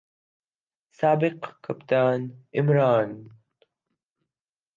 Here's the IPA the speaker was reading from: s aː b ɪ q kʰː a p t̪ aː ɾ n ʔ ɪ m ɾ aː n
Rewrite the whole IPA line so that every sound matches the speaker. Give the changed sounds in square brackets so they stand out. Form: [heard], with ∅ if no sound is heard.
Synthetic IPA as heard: s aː b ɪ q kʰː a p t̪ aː [∅] n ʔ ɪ m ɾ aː n

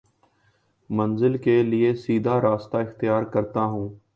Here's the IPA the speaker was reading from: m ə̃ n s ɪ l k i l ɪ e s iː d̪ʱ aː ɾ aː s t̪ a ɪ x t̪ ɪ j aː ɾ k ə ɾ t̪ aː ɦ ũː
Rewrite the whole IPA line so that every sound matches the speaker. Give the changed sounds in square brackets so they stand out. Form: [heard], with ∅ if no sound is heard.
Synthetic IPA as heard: m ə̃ n [z] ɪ l k [e] l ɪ e s iː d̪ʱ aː ɾ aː s t̪ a ɪ x t̪ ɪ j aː ɾ k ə ɾ t̪ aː ɦ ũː

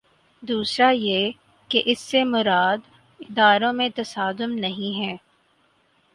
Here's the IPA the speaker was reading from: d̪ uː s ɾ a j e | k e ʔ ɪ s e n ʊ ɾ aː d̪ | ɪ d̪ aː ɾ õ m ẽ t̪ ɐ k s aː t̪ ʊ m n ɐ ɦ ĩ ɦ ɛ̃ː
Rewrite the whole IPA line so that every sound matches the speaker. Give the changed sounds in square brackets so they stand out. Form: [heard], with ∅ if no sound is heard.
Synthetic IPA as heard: d̪ uː s ɾ a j e | k e ʔ ɪ [sː] e [m] ʊ ɾ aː d̪ | ɪ d̪ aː ɾ õ m ẽ t̪ ɐ [∅] s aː [d̪] ʊ m n ɐ ɦ ĩ ɦ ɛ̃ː

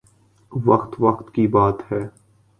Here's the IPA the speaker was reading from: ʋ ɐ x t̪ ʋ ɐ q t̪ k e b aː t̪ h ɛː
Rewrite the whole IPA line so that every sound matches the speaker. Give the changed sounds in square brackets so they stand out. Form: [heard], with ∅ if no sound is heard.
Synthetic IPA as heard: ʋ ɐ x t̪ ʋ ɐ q t̪ k [i] b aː t̪ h ɛː

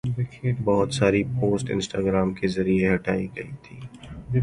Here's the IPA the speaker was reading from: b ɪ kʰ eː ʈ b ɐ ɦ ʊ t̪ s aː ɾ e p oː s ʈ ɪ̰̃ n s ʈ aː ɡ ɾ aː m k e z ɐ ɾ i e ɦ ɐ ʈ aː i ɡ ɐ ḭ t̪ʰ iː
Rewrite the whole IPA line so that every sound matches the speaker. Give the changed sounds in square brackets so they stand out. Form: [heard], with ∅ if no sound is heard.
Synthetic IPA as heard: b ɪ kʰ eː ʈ b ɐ ɦ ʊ t̪ s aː ɾ [i] p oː s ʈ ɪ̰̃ n s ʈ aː ɡ ɾ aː m k e z ɐ ɾ i e ɦ ɐ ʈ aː i ɡ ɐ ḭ t̪ʰ iː

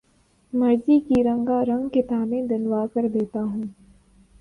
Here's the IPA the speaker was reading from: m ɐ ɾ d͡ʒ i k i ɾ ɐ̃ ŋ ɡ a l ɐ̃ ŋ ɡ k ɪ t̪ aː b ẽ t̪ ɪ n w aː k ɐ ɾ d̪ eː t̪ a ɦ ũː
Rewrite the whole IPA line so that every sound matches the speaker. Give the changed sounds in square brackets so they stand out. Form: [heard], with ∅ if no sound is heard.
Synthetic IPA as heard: m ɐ ɾ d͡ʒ i k i ɾ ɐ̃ ŋ ɡ a [ɾ] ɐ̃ ŋ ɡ k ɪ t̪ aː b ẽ [d̪] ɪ n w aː k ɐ ɾ d̪ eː t̪ a ɦ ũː

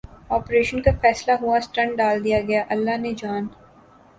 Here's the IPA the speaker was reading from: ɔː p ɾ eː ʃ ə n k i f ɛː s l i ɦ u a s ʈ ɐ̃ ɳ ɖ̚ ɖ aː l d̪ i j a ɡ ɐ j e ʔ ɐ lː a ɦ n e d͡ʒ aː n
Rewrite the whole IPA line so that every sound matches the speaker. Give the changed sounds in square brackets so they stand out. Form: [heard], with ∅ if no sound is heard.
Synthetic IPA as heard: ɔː p ɾ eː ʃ ə n k [a] f ɛː s l [a] ɦ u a s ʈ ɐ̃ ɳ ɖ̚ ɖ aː l d̪ i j a ɡ ɐ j [a] ʔ ɐ lː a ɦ n e d͡ʒ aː n

